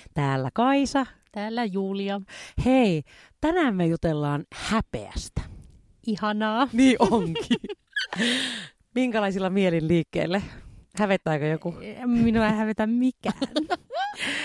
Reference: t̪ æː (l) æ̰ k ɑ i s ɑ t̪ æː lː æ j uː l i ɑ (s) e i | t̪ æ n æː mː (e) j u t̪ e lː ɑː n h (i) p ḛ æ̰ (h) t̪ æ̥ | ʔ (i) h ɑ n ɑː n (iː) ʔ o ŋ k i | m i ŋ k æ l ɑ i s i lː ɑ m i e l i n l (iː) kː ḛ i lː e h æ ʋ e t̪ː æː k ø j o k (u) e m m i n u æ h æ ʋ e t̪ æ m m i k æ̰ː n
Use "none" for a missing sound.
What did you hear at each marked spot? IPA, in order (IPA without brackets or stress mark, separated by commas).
lː, h, e, æ, s, i, iː, iː, u